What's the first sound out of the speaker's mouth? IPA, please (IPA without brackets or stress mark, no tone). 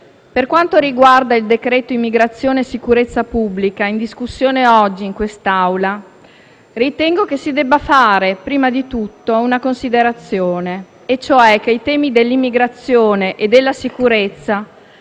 p